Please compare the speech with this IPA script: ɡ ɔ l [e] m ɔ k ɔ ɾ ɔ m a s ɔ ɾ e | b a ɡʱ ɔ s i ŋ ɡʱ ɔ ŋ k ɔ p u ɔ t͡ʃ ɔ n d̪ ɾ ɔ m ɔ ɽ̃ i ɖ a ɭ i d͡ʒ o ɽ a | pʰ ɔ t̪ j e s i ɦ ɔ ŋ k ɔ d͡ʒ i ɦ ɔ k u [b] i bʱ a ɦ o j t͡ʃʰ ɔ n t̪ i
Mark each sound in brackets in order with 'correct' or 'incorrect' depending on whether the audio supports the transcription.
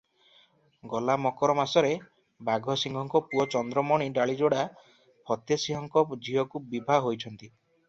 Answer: incorrect: a, correct

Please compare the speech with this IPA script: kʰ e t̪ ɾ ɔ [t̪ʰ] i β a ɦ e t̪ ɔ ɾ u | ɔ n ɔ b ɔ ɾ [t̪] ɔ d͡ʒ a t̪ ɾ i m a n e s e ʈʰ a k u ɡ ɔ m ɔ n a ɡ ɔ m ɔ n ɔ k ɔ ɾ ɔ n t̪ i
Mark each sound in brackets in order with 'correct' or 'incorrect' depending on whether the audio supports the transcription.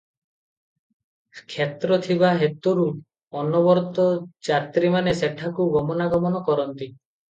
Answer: correct, correct

